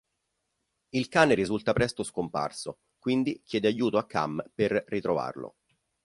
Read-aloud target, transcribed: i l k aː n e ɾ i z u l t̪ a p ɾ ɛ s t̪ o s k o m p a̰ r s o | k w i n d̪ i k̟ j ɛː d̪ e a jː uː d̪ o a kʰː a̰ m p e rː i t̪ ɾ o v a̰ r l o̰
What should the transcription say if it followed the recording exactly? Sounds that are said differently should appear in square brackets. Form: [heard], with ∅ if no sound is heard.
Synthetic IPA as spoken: i l k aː n e ɾ i z u l t̪ a p ɾ ɛ s t̪ o s k o m p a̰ r s o | k w i n d̪ i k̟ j ɛː d̪ e a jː uː [t̪] o a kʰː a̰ m p e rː i t̪ ɾ o v a̰ r l o̰